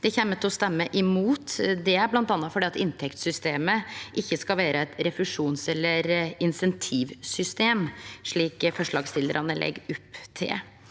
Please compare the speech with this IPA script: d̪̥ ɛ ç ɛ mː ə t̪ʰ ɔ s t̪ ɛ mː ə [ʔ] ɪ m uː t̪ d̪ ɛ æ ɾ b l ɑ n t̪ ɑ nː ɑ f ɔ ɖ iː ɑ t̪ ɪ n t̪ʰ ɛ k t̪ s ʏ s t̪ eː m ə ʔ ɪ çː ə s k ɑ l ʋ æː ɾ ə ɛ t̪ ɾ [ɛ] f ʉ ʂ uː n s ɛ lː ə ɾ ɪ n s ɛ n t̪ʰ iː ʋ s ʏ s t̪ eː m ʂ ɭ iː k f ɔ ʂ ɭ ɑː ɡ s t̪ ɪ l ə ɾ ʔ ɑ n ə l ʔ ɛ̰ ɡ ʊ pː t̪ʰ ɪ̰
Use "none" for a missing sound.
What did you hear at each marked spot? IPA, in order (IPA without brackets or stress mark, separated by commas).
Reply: ʔ, ɛ